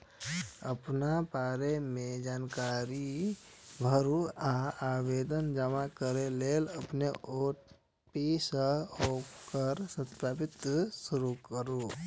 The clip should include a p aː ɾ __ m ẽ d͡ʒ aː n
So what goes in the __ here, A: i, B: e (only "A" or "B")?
B